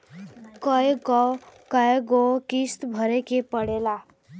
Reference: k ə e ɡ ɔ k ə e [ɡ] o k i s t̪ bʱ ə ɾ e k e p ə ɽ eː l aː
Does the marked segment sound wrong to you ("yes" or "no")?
no